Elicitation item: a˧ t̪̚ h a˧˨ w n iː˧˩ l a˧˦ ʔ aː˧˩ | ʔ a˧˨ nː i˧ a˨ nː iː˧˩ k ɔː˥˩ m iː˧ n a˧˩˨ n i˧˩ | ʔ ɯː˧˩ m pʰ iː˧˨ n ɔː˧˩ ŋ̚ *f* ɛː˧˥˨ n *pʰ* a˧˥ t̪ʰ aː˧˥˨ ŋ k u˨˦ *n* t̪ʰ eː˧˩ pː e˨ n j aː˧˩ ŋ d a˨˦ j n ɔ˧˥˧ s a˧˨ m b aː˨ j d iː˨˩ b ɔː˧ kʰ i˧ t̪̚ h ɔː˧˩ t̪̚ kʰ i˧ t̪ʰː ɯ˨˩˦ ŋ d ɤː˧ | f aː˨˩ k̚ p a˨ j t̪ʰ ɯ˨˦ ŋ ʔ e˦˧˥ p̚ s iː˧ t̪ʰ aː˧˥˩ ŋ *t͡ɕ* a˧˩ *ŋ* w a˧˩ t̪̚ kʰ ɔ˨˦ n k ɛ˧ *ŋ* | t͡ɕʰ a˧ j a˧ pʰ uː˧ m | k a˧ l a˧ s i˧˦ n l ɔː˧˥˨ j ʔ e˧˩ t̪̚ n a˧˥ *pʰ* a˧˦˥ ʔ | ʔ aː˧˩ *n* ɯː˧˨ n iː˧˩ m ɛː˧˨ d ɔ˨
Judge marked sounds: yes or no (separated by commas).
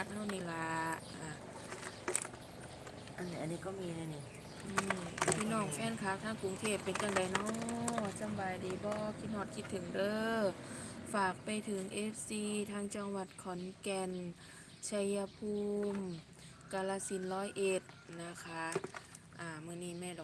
yes, no, no, yes, yes, no, no, no